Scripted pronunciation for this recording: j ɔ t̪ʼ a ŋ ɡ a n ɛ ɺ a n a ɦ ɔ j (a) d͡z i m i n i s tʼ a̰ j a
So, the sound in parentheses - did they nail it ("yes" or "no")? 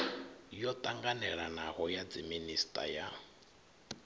yes